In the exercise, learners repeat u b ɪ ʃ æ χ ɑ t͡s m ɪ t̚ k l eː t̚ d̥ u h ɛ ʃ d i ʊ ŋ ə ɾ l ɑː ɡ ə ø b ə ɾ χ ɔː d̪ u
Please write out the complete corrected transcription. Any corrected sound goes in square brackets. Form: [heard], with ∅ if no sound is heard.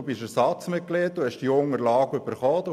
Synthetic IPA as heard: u b ɪ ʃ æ [s] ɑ t͡s m ɪ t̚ k l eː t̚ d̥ u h ɛ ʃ d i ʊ ŋ ə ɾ l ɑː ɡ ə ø b ə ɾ χ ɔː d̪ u